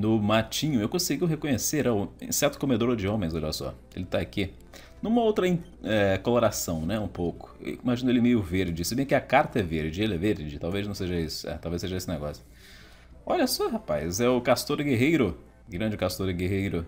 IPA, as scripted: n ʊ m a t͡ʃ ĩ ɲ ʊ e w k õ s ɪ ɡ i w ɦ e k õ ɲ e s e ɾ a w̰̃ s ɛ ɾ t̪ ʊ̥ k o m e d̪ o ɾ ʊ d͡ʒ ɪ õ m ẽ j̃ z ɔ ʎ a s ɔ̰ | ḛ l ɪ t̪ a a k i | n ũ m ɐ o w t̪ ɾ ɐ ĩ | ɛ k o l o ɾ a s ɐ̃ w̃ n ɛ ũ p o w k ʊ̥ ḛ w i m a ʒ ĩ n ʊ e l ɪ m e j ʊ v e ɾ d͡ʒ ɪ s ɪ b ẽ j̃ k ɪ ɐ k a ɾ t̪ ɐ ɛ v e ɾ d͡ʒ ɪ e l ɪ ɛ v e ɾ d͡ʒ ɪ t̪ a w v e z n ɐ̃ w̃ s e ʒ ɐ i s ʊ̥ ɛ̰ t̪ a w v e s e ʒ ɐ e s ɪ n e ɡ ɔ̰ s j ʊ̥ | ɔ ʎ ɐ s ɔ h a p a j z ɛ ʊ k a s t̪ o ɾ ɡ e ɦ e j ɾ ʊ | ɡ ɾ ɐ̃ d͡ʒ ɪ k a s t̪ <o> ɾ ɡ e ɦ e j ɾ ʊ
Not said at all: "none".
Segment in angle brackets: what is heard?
o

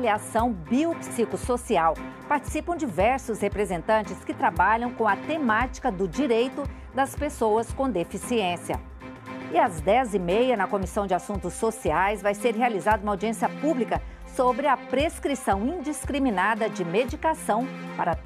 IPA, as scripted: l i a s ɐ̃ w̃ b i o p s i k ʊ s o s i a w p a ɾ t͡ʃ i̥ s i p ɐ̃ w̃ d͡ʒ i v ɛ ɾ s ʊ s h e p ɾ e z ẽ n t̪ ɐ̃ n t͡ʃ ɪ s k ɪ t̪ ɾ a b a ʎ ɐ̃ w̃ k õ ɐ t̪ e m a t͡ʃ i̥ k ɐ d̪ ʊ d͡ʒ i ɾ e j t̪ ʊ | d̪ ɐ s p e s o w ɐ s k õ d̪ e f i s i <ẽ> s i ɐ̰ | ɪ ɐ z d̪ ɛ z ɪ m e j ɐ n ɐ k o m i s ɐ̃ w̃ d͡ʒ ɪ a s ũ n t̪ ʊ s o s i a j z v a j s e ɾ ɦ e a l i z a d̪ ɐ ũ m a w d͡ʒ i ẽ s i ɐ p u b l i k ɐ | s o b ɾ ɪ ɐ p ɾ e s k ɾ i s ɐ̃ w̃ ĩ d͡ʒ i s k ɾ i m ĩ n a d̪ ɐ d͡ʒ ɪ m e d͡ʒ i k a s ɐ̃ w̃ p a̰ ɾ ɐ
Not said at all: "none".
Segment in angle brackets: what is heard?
ẽ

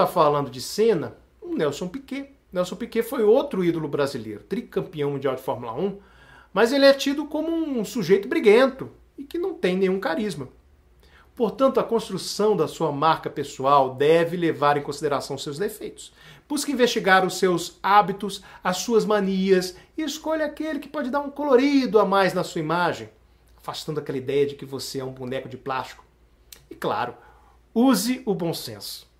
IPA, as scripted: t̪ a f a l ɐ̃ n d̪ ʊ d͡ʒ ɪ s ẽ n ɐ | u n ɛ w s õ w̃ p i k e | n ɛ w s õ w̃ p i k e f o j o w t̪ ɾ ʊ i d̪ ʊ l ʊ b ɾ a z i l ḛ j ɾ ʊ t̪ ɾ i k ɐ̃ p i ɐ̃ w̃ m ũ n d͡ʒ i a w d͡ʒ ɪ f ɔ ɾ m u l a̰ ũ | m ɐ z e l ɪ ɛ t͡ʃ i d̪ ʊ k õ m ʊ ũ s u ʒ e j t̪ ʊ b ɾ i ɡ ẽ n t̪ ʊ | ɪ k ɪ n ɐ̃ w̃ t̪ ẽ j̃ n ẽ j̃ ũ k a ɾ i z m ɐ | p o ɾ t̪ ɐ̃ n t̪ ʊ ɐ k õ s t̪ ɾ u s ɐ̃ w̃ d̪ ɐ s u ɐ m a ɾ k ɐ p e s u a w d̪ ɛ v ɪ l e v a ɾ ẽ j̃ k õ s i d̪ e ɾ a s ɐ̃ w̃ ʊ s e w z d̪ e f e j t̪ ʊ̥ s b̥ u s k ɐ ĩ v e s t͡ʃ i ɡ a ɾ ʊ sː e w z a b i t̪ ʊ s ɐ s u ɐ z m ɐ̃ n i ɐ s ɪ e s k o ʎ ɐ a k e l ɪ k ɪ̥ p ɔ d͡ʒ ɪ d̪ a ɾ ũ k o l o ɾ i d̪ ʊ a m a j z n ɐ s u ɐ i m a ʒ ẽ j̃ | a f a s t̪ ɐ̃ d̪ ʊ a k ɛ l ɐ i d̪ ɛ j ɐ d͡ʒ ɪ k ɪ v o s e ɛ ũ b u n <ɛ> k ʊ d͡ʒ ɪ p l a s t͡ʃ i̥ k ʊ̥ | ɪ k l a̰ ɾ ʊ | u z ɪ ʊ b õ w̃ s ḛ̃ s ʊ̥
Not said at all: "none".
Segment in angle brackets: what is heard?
ɛ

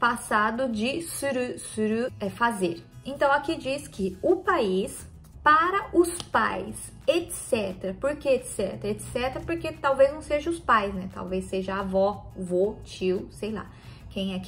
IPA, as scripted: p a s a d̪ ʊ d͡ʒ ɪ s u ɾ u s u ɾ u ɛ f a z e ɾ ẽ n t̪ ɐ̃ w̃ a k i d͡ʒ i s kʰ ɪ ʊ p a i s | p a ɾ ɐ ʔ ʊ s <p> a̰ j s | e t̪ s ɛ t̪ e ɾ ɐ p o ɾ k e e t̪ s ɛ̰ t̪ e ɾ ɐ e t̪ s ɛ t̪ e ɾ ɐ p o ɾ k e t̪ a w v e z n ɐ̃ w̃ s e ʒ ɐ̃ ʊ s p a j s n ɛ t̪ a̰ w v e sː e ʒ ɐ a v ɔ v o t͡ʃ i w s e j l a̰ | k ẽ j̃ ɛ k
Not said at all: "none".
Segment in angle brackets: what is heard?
p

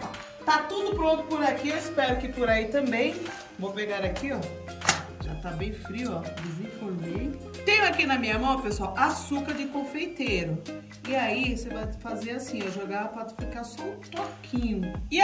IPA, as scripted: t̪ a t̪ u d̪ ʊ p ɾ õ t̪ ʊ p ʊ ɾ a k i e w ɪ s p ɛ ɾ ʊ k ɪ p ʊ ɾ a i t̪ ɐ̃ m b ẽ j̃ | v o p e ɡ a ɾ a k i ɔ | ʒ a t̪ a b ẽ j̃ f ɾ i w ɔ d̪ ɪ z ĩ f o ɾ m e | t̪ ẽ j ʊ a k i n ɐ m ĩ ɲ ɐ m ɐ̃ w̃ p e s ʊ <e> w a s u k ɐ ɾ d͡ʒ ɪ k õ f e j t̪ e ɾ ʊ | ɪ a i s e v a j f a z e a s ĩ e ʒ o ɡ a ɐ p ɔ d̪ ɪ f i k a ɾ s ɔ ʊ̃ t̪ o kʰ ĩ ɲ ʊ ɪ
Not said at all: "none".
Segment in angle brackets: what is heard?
a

